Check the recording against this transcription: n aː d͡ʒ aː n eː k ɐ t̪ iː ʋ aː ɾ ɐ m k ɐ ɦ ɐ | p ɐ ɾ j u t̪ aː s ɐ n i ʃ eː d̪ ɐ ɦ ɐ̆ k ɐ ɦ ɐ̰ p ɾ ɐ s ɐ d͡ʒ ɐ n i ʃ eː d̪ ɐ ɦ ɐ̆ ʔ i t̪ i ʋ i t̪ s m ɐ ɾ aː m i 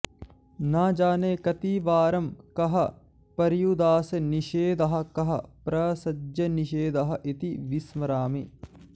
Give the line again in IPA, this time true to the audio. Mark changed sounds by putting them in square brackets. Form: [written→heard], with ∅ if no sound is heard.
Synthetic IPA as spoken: n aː d͡ʒ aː n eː k ɐ t̪ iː ʋ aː ɾ ɐ m k ɐ ɦ ɐ | p ɐ ɾ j u [t̪→d̪] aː s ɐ n i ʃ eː d̪ ɐ ɦ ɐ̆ k ɐ ɦ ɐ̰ p ɾ ɐ s ɐ d͡ʒ ɐ n i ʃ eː d̪ ɐ ɦ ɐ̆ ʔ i t̪ i ʋ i [t̪→∅] s m ɐ ɾ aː m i